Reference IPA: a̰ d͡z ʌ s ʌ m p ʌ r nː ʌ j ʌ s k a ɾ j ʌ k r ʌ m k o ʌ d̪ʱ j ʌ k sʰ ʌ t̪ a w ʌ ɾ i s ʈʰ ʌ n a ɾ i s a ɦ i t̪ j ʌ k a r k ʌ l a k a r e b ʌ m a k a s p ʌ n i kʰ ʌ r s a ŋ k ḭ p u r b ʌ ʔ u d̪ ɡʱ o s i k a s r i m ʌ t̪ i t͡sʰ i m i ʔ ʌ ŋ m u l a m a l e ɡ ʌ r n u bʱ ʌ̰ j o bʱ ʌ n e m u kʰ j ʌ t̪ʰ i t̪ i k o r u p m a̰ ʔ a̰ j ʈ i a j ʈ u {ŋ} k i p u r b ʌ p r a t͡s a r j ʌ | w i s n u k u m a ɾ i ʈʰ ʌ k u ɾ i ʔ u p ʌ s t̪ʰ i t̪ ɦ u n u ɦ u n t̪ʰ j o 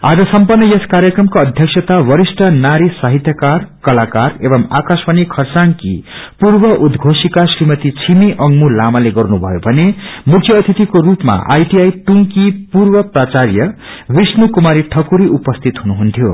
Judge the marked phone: correct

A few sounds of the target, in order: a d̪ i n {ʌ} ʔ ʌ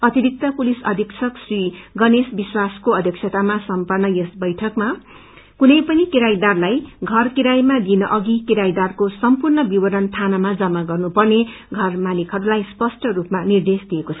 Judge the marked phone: correct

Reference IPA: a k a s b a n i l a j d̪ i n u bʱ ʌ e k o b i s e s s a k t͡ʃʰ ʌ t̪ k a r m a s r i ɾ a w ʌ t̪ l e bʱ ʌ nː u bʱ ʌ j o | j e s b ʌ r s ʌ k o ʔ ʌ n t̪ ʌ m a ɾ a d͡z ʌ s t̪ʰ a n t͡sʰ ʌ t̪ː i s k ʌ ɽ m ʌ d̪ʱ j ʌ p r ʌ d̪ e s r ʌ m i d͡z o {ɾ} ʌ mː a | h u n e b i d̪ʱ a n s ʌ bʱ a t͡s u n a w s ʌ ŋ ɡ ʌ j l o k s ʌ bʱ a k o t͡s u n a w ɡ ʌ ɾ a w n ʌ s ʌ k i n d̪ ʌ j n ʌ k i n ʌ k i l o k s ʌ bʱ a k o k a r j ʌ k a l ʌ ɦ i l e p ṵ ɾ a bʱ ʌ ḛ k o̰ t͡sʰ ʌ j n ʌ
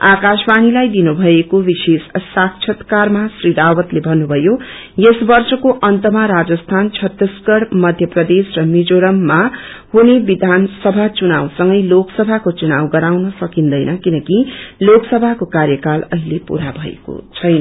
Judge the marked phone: correct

